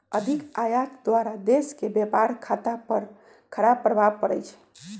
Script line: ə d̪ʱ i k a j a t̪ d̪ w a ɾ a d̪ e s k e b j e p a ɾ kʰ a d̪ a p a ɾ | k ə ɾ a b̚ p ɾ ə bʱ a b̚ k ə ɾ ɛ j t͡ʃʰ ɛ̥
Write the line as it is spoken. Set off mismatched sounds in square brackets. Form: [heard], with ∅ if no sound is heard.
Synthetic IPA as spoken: ə d̪ʱ i k a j a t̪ d̪ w a ɾ a d̪ e s k e b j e p a ɾ kʰ a [t̪] a p [ə] ɾ | [kʰ] ə ɾ a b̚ p ɾ ə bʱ a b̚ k ə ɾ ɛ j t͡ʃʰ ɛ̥